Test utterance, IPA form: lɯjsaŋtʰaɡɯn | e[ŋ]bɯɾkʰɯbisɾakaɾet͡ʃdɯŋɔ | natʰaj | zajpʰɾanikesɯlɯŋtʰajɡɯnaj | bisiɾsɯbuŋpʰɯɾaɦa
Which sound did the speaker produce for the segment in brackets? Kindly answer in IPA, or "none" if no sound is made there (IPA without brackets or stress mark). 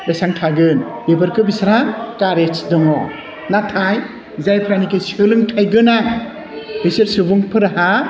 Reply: none